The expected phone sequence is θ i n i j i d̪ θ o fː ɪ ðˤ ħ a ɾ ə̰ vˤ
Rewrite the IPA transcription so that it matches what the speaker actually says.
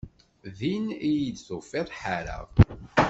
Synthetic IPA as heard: ð i n i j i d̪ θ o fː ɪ ðˤ ħ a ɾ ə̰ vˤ